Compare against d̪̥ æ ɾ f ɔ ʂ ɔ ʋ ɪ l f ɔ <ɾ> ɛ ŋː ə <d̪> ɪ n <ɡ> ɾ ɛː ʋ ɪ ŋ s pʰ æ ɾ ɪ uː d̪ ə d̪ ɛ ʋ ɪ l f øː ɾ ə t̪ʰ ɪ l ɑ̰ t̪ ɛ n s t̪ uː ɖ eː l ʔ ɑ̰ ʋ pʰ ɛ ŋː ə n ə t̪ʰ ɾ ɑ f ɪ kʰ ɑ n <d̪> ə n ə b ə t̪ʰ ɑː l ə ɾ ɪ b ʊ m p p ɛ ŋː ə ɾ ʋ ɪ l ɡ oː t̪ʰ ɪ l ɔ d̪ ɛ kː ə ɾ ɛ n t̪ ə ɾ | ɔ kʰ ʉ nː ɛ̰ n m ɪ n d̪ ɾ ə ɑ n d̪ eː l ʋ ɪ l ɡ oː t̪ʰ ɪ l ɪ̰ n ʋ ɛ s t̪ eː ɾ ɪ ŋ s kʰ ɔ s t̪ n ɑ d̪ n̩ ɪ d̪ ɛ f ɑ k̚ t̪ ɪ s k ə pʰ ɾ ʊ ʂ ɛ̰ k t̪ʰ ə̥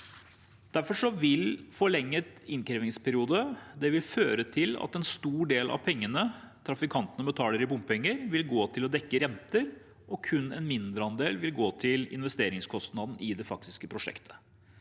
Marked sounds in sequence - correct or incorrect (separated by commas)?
incorrect, incorrect, incorrect, incorrect